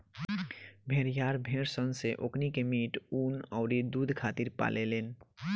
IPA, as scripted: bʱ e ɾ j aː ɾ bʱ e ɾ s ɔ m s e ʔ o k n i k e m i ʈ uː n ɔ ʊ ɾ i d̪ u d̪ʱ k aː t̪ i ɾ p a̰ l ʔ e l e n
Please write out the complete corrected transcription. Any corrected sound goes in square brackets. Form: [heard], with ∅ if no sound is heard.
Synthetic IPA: bʱ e ɾ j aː ɾ bʱ e ɾ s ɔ [n] s e ʔ o k n i k e m i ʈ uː n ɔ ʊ ɾ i d̪ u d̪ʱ [kʰ] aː t̪ i ɾ p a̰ l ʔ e l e n